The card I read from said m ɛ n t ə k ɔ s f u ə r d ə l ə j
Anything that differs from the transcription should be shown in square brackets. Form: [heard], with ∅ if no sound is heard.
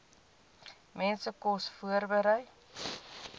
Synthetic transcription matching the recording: m ɛ n [s] ə k ɔ s f u ə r [b] ə [ɾ] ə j